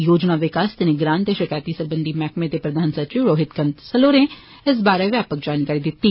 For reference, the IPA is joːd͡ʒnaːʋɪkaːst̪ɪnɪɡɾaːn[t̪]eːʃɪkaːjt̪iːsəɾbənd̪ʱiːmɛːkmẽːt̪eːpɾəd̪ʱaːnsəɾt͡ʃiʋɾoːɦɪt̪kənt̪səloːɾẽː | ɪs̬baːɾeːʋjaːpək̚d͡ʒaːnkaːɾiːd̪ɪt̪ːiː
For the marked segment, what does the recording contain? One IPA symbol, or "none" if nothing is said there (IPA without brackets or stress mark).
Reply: t̪